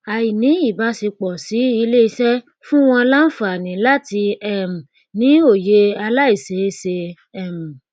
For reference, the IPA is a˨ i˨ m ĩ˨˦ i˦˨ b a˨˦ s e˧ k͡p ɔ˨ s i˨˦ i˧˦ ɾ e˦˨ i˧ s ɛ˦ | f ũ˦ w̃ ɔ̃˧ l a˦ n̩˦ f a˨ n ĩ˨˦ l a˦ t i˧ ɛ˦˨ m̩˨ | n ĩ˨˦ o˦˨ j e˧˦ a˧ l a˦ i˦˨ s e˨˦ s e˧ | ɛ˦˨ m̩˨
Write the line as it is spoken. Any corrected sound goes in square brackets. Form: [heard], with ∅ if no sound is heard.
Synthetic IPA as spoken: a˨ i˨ [n] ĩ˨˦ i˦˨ b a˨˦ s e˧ k͡p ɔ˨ s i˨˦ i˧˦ [l] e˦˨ i˧ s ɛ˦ | f ũ˦ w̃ ɔ̃˧ l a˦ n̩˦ f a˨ n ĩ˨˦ l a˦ t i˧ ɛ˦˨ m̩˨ | n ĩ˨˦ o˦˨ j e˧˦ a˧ l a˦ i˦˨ s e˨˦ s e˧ | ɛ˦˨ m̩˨